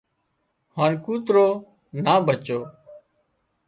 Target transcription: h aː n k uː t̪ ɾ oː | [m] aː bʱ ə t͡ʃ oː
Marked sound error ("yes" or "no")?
yes